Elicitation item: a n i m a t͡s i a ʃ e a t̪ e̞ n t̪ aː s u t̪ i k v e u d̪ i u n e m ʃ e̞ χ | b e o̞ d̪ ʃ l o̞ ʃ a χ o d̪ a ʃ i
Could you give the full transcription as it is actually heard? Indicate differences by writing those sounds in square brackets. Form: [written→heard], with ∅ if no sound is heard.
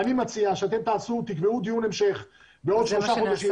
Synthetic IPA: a n i m a t͡s i a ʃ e a t̪ e̞ [n→m] t̪ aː s u t̪ i k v e u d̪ i u n e m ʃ e̞ χ | b e o̞ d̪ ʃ l o̞ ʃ a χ o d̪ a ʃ i